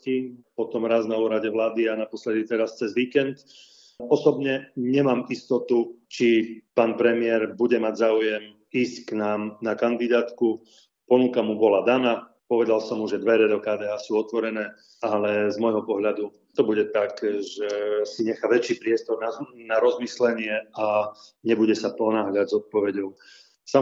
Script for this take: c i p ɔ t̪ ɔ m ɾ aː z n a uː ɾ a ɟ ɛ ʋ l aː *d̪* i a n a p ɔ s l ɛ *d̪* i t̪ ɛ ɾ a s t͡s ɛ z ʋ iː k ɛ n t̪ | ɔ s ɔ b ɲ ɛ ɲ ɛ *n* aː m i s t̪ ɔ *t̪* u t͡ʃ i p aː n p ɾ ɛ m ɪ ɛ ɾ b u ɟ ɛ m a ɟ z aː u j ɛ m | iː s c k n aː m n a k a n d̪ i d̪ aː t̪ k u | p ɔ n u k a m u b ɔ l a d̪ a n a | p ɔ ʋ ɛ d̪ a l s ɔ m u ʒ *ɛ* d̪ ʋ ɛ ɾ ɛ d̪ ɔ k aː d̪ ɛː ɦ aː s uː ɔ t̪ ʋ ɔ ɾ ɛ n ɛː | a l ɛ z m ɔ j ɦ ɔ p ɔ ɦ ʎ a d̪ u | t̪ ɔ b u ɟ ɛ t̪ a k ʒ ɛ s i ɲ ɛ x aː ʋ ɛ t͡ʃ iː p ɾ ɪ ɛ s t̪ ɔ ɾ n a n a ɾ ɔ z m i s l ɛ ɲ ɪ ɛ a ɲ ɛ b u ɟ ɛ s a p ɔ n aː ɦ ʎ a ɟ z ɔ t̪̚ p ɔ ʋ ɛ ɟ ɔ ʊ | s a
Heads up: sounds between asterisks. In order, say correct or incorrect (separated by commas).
correct, correct, incorrect, correct, correct